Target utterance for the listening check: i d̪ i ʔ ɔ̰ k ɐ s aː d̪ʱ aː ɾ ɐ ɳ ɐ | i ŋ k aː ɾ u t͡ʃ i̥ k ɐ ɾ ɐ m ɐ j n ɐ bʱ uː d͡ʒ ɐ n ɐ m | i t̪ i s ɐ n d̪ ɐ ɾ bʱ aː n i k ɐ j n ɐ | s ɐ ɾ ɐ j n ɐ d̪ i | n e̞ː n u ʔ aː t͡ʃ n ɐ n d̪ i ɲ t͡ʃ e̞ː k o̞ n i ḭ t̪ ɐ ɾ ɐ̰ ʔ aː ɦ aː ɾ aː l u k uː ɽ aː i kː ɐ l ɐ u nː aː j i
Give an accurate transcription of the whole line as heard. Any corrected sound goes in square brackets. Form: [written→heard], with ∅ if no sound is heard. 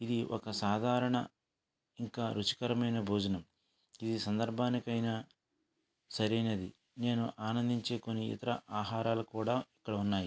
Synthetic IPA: i d̪ i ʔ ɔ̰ k ɐ s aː d̪ʱ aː ɾ ɐ ɳ ɐ | i ŋ k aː ɾ u t͡ʃ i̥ k ɐ ɾ ɐ m ɐ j n ɐ bʱ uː d͡ʒ ɐ n ɐ m | i [t̪→d̪] i s ɐ n d̪ ɐ ɾ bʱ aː n i k ɐ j n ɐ | s ɐ ɾ ɐ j n ɐ d̪ i | n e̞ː n u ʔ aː [t͡ʃ→∅] n ɐ n d̪ i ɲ t͡ʃ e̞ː k o̞ [n→nː] i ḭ t̪ ɐ ɾ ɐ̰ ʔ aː ɦ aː ɾ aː l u k uː ɽ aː i kː ɐ [l→ɽ] ɐ u nː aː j i